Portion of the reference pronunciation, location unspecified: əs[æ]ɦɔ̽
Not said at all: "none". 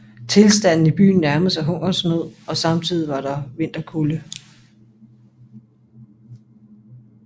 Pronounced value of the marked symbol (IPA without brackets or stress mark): æ